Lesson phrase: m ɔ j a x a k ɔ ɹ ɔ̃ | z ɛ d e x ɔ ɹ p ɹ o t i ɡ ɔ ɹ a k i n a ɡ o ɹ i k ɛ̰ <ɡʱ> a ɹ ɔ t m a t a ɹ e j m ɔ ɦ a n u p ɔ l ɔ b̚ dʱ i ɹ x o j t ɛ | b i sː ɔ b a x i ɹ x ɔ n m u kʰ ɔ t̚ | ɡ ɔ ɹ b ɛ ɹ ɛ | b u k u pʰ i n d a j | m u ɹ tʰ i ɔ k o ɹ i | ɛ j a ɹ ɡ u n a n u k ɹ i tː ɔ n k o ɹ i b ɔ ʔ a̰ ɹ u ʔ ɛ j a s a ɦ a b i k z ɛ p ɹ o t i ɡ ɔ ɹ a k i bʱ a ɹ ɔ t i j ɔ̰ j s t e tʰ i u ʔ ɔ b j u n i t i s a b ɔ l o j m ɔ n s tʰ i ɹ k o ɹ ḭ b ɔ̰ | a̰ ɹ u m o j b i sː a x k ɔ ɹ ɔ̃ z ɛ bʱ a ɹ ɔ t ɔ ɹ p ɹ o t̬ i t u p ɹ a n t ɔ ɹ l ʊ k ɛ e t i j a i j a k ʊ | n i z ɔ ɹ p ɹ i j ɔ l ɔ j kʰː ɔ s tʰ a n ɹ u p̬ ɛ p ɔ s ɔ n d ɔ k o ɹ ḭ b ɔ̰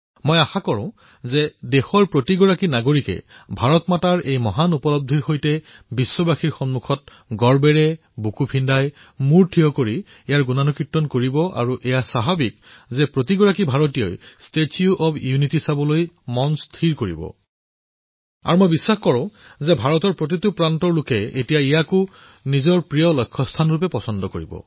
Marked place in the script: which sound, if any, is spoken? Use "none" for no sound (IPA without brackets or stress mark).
bʱ